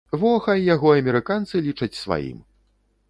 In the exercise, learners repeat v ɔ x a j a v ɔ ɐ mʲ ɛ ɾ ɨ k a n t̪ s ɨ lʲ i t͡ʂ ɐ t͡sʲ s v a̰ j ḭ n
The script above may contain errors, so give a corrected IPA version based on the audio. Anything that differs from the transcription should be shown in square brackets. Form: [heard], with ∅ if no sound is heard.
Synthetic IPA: v ɔ x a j a [ɣ] ɔ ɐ mʲ ɛ ɾ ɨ k a n t̪ s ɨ lʲ i t͡ʂ ɐ t͡sʲ s v a̰ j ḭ [m]